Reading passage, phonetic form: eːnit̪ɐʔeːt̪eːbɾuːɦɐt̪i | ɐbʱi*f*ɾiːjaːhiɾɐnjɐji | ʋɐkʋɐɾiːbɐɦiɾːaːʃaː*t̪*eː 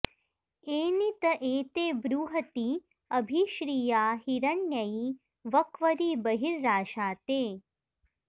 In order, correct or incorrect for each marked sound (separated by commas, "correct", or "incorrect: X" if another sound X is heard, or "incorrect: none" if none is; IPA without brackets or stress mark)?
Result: incorrect: ʃ, correct